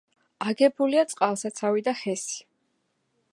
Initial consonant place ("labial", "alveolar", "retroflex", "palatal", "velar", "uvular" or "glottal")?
velar